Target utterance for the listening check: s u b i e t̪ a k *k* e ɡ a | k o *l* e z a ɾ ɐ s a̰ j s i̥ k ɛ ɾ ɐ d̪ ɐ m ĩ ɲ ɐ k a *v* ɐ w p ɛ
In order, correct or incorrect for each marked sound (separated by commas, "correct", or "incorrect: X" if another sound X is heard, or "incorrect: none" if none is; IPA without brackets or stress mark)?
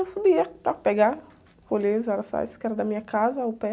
incorrect: p, correct, incorrect: z